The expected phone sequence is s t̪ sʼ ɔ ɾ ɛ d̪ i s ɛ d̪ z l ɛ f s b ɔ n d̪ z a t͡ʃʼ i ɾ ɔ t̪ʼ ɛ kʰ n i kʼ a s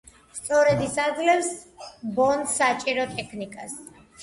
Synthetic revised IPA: s t̪ sʼ ɔ ɾ ɛ d̪ i s a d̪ z l ɛ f s b ɔ n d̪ s a t͡ʃʼ i ɾ ɔ t̪ʼ ɛ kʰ n i kʼ a s

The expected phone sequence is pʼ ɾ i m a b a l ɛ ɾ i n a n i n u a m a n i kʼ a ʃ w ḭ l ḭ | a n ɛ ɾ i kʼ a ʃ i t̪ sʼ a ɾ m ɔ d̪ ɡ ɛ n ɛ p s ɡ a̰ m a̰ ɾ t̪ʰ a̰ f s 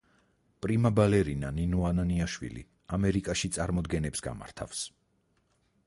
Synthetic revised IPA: pʼ ɾ i m a b a l ɛ ɾ i n a n i n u a n a n i a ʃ w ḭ l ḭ | a m ɛ ɾ i kʼ a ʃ i t̪ sʼ a ɾ m ɔ d̪ ɡ ɛ n ɛ p s ɡ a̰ m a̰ ɾ t̪ʰ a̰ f s

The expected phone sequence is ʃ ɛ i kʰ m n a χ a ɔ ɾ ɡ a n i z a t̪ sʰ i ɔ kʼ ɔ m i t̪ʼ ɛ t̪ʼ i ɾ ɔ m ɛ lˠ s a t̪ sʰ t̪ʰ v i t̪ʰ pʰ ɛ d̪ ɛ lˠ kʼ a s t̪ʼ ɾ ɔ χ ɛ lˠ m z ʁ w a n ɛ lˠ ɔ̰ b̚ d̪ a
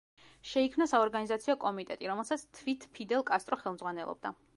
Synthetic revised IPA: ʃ ɛ i kʰ m n a s a ɔ ɾ ɡ a n i z a t̪ sʰ i ɔ kʼ ɔ m i t̪ʼ ɛ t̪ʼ i ɾ ɔ m ɛ lˠ s a t̪ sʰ t̪ʰ v i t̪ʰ pʰ i d̪ ɛ lˠ kʼ a s t̪ʼ ɾ ɔ χ ɛ lˠ m z ʁ w a n ɛ lˠ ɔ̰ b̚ d̪ a

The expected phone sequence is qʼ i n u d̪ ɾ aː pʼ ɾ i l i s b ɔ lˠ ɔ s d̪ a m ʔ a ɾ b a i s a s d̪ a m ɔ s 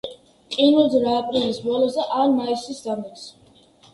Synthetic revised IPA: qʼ i n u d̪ ɾ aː pʼ ɾ i l i s b ɔ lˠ ɔ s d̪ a ʔ a ɾ m a i s i s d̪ a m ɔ s

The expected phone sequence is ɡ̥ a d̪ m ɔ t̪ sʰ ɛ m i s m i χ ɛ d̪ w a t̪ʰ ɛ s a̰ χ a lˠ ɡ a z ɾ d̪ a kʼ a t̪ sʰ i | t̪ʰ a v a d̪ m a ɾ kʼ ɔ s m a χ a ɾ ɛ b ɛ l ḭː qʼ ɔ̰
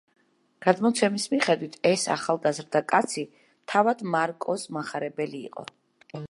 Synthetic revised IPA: ɡ̥ a d̪ m ɔ t̪ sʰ ɛ m i s m i χ ɛ d̪ w i t̪ʰ ɛ s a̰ χ a lˠ ɡ a z ɾ d̪ a kʼ a t̪ sʰ i | t̪ʰ a v a d̪ m a ɾ kʼ ɔ s m a χ a ɾ ɛ b ɛ l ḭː qʼ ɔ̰

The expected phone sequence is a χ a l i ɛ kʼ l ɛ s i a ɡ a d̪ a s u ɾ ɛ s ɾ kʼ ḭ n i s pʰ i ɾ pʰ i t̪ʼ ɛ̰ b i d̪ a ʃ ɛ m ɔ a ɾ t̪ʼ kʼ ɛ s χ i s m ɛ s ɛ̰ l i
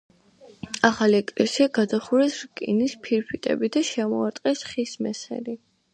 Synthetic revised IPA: a χ a l i ɛ kʼ l ɛ s i a ɡ a d̪ a χ u ɾ ɛ s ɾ kʼ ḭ n i s pʰ i ɾ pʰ i t̪ʼ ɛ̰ b i d̪ a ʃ ɛ m ɔ a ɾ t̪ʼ qʼ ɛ s χ i s m ɛ s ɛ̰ l i

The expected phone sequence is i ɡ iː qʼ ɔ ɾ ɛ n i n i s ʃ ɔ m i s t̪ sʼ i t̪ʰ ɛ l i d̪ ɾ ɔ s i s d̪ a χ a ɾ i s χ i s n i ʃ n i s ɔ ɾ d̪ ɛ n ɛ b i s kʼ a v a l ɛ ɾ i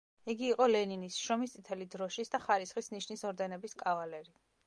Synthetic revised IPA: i ɡ iː qʼ ɔ l ɛ n i n i s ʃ ɔ m i s t̪ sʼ i t̪ʰ ɛ l i d̪ ɾ ɔ ʃ i s d̪ a χ a ɾ i s χ i s n i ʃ n i s ɔ ɾ d̪ ɛ n ɛ b i s kʼ a v a l ɛ ɾ i

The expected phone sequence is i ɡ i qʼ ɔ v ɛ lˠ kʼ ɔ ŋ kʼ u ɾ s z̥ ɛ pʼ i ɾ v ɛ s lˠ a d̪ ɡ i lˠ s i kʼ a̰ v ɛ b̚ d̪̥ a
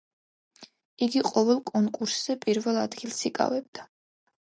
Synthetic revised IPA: i ɡ i qʼ ɔ v ɛ lˠ kʼ ɔ ŋ kʼ u ɾ s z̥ ɛ pʼ i ɾ v ɛ lˠ a d̪ ɡ i lˠ s i kʼ a̰ v ɛ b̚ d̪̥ a

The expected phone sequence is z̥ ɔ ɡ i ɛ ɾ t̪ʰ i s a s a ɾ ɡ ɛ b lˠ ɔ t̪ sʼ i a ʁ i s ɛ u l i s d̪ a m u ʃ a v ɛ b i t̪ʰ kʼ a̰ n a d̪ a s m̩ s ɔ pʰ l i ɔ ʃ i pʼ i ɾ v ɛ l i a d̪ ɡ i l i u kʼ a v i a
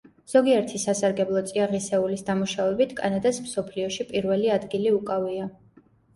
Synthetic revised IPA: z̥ ɔ ɡ i ɛ ɾ t̪ʰ i s a s a ɾ ɡ ɛ b lˠ ɔ t̪ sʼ i a ʁ i s ɛ u l i s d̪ a m u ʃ a v ɛ b i t̪ʰ kʼ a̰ n a d̪ a s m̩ s ɔ pʰ l i ɔ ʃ i pʼ i ɾ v ɛ l i a d̪ ɡ i l i u kʼ a v i a

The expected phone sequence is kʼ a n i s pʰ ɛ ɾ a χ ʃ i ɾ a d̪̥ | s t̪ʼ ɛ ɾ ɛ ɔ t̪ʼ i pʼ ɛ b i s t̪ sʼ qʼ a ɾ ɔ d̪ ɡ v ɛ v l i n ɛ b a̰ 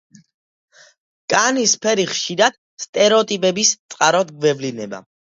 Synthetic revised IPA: kʼ a n i s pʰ ɛ ɾ i χ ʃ i ɾ a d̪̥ | s t̪ʼ ɛ ɾ ɛ ɔ t̪ʼ i pʼ ɛ b i s t̪ sʼ qʼ a ɾ ɔ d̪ ɡ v ɛ v l i n ɛ b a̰

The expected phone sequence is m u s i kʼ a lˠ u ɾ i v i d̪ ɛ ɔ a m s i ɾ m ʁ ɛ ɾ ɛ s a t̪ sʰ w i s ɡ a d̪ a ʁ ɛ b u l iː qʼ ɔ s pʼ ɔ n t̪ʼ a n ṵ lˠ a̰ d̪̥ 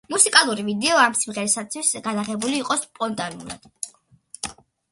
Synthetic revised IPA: m u s i kʼ a lˠ u ɾ i v i d̪ ɛ ɔ a m s i m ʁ ɛ ɾ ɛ s a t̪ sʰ w i s ɡ a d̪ a ʁ ɛ b u l iː qʼ ɔ s pʼ ɔ n t̪ʼ a n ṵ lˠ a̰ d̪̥

